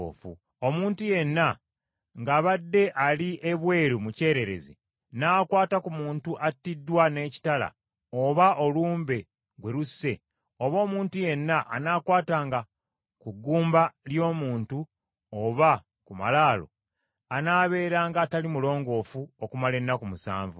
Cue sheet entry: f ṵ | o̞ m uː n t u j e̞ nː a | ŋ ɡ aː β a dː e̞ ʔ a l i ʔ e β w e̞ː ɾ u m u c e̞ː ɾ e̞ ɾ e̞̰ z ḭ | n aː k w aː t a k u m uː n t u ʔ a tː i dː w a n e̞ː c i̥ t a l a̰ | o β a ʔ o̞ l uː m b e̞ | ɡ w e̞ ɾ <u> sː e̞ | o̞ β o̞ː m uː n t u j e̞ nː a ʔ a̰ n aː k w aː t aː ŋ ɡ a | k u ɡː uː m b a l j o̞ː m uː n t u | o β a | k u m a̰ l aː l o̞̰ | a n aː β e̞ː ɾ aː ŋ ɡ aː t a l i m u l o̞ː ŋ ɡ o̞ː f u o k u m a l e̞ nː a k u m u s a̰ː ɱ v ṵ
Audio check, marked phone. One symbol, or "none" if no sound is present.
u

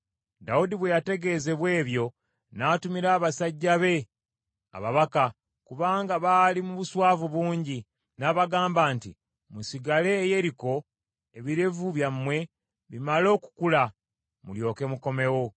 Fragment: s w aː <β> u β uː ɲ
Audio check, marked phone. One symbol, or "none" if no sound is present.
v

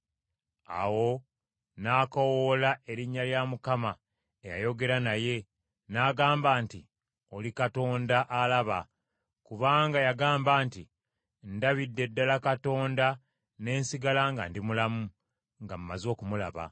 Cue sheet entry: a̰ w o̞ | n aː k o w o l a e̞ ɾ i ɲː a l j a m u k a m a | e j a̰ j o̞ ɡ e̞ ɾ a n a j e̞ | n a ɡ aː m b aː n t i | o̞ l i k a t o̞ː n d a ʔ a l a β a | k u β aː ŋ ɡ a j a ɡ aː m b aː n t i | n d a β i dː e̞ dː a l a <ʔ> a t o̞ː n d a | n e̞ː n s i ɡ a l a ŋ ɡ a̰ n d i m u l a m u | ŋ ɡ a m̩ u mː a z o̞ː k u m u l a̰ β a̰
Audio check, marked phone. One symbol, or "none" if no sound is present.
k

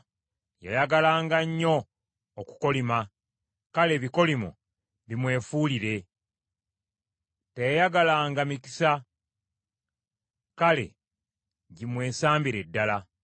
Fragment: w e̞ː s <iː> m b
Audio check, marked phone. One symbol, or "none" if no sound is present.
aː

